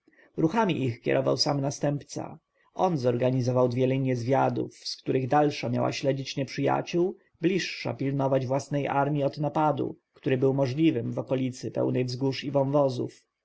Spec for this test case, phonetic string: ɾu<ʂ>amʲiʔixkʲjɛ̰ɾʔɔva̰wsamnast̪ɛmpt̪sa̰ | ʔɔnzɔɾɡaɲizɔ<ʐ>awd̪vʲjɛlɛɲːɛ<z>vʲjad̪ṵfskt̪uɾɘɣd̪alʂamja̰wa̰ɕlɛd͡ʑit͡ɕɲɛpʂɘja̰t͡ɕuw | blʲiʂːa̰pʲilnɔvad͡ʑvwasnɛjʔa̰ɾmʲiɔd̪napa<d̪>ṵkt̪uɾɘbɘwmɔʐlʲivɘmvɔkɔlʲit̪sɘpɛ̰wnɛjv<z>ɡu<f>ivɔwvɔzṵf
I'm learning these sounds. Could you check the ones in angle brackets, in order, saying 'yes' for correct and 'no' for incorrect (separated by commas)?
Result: no, no, yes, yes, yes, no